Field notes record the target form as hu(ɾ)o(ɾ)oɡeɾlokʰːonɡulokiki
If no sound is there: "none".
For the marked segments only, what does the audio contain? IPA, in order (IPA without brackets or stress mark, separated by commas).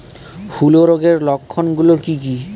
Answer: l, ɾ